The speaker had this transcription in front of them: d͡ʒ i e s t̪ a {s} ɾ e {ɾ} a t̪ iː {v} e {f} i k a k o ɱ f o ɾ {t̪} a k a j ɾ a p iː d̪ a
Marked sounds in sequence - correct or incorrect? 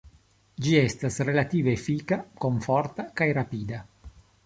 correct, incorrect: l, correct, correct, correct

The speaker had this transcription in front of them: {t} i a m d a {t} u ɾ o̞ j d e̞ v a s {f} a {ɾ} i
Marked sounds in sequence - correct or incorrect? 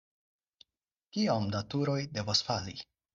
incorrect: k, correct, correct, incorrect: l

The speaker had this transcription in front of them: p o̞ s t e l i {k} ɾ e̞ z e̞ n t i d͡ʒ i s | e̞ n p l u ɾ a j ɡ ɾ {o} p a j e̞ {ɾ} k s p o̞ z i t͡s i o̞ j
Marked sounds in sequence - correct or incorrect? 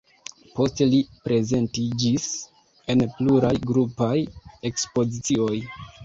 incorrect: p, incorrect: u, incorrect: none

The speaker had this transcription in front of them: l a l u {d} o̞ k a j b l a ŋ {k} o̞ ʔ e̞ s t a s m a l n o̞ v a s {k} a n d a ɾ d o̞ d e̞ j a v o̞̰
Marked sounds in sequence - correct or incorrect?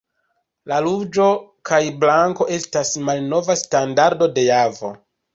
incorrect: d͡ʒ, correct, incorrect: t

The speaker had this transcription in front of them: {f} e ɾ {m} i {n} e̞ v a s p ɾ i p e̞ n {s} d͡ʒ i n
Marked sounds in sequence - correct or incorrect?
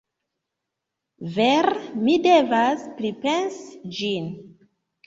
incorrect: v, correct, incorrect: d, correct

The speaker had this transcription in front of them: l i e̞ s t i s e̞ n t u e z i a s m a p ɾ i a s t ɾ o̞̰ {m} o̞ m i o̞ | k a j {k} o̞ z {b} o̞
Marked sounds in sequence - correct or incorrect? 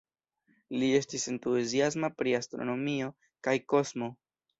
incorrect: n, correct, incorrect: m

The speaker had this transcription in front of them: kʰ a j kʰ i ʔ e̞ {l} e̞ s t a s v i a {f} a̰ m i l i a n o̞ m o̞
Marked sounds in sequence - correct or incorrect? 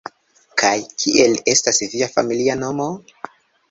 correct, correct

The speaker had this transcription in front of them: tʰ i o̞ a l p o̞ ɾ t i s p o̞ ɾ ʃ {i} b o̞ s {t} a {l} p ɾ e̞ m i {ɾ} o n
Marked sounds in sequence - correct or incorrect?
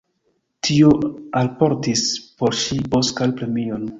correct, incorrect: k, correct, incorrect: none

